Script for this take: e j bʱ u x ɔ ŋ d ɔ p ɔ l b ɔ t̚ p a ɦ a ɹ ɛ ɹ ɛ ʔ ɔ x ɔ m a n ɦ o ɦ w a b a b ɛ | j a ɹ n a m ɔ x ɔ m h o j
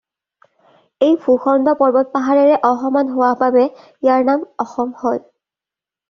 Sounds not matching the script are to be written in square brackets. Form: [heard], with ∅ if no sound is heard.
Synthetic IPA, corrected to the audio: e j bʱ u x ɔ [n] d ɔ p ɔ [ɹ] b ɔ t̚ p a ɦ a ɹ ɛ ɹ ɛ ʔ ɔ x ɔ m a n ɦ o [∅] w a b a b ɛ | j a ɹ n a m ɔ x ɔ m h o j

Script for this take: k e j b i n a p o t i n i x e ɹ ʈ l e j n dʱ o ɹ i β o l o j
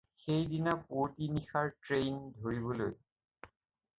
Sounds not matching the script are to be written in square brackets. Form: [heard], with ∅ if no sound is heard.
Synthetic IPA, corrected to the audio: [x] e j [d] i n a p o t i n i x [a] ɹ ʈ [ɹ] e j n dʱ o ɹ i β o l o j

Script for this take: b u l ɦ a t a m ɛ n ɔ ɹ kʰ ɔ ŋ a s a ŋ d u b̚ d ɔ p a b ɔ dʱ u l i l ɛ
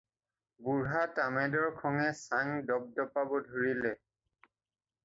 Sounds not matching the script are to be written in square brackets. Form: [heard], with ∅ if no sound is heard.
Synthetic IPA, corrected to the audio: b u [ɹ] ɦ a t a m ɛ [d] ɔ ɹ kʰ ɔ ŋ [ɛ] s a ŋ d [ɔ] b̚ d ɔ p a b ɔ dʱ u [ɹ] i l ɛ

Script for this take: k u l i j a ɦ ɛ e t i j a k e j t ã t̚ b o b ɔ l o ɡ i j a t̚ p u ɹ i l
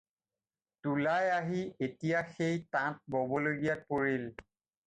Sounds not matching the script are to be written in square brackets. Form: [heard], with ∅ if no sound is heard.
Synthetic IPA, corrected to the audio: [t] u l [a] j a ɦ [i] e t i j a [x] e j t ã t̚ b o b ɔ l o ɡ i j a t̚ p [o] ɹ i l

